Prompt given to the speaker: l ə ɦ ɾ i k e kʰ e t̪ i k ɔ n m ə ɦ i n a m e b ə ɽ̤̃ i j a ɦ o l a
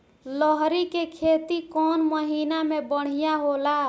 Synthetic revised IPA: l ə ɦ ɾ i k e kʰ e t̪ i k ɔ n m ə ɦ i n a m e b ə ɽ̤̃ i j a ɦ o l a